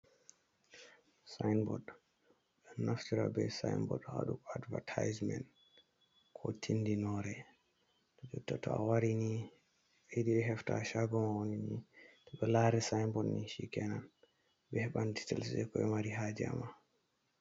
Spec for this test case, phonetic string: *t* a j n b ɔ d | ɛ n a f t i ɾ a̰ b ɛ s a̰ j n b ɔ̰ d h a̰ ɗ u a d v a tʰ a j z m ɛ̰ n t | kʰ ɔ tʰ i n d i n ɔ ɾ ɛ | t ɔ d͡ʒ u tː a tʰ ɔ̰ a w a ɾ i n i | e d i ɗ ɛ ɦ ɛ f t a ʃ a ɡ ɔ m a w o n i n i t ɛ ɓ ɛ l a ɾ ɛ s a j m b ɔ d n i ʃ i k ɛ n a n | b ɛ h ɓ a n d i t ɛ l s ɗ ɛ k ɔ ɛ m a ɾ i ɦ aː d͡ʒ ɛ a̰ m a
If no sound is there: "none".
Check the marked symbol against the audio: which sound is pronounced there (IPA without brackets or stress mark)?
s